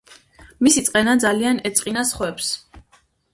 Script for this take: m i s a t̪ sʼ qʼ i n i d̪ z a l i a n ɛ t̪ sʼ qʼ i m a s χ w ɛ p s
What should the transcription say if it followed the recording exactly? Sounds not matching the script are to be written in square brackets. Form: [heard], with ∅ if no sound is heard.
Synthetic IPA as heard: m i s [i] t̪ sʼ qʼ [ɛ] n [a] d̪ z a l i a n ɛ t̪ sʼ qʼ i [n] a s χ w ɛ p s